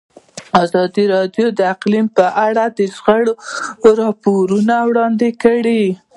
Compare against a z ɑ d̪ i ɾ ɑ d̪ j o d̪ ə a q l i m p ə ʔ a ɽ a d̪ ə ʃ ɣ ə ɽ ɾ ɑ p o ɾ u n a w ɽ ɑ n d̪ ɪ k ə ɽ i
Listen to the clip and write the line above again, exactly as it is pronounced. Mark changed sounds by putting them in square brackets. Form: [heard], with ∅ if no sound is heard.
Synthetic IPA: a z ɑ d̪ i ɾ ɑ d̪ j o d̪ ə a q l i m p ə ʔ a ɽ a d̪ ə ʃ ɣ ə ɽ ɾ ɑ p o ɾ u n a w ɽ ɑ n d̪ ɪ k ə ɽ i